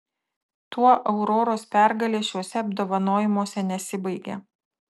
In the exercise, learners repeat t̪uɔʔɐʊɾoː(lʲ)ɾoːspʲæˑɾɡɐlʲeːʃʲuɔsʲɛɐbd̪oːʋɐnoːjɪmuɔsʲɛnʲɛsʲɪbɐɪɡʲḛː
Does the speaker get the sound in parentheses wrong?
yes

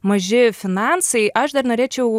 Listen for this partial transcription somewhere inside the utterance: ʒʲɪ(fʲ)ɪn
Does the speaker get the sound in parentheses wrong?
no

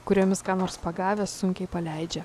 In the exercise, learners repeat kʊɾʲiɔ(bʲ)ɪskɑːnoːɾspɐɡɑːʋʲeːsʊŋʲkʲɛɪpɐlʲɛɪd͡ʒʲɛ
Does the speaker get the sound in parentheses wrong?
yes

